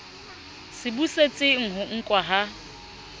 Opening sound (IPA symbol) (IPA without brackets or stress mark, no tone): s